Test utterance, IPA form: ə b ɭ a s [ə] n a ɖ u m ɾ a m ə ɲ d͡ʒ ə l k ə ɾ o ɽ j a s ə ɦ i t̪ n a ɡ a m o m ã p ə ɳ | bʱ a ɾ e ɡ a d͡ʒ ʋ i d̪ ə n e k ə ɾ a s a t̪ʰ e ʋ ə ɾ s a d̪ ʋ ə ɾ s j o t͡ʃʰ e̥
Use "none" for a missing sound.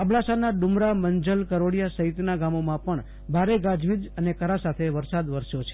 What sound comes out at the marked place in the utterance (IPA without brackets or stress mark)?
a